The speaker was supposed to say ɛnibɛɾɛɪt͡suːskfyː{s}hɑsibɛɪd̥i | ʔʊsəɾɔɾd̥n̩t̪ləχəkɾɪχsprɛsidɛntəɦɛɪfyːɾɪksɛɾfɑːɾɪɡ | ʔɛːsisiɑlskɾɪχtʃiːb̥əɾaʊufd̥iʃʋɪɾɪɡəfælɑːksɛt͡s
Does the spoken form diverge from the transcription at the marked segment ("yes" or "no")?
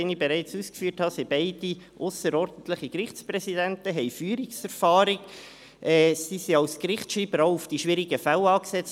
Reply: yes